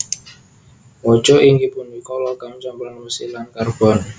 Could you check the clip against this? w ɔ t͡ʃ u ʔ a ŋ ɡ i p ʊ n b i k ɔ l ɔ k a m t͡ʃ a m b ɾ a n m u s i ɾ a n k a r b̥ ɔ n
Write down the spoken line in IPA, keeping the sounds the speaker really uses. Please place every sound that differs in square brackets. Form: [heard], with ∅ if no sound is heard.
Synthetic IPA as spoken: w ɔ t͡ʃ [ɔ] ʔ [i] ŋ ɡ i p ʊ n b i k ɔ l ɔ k a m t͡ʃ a m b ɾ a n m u s i [l] a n k a r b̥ ɔ n